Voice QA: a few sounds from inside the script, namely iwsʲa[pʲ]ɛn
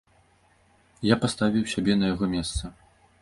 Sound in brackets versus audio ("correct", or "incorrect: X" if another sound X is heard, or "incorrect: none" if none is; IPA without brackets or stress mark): incorrect: bʲ